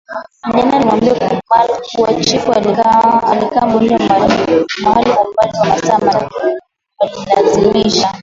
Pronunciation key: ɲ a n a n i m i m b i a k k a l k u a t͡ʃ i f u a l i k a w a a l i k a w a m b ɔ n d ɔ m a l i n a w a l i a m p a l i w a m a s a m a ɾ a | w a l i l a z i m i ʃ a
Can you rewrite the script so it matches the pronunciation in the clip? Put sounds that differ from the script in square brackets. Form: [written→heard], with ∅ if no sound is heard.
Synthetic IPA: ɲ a n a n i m [i→a] m b i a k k a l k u a t͡ʃ i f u a l i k a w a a l i k a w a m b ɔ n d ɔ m a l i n a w a l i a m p a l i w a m a s a m a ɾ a | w a l i l a z i m i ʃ a